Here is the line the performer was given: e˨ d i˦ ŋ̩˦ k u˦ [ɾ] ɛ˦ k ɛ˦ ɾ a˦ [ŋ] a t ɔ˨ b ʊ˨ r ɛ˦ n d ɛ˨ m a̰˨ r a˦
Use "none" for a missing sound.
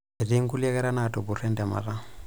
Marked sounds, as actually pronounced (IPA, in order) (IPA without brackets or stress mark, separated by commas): l, n